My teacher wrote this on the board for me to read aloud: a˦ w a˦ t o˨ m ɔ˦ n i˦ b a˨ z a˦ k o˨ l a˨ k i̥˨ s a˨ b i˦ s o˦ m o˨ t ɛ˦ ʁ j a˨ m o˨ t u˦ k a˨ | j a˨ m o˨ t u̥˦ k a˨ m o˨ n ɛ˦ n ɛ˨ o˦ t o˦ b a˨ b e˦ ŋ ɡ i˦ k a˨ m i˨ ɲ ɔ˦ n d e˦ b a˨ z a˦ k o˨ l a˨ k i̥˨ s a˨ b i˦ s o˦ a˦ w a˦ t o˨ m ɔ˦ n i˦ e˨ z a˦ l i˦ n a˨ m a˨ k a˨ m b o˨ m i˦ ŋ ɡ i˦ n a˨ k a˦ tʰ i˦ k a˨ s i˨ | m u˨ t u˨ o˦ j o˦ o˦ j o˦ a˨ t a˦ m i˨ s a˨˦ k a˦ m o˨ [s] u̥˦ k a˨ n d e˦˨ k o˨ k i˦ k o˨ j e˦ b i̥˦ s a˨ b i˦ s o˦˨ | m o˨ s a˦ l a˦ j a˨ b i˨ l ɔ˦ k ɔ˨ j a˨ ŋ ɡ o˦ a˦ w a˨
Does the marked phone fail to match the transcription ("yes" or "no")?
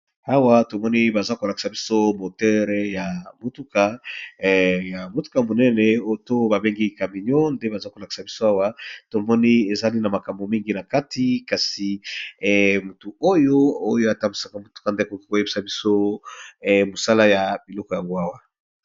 yes